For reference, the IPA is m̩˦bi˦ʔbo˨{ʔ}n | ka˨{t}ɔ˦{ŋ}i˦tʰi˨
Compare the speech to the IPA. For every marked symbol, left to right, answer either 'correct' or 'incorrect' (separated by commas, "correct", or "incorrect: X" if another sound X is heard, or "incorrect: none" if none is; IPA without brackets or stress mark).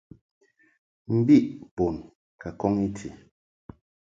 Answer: incorrect: none, incorrect: k, correct